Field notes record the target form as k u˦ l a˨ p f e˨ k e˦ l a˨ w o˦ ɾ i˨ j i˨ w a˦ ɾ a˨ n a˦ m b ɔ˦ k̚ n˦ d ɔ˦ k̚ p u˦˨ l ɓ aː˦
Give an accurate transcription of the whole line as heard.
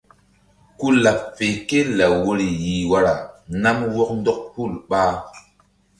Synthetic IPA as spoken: k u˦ l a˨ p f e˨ k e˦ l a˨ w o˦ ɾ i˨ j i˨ w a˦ ɾ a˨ n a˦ m w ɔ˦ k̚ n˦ d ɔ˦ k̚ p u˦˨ l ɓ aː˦